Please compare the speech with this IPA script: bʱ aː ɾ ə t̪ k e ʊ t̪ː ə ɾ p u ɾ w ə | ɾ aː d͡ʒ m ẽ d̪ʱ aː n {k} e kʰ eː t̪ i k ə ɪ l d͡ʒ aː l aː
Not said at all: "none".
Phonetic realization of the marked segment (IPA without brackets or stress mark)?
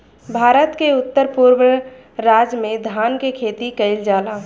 k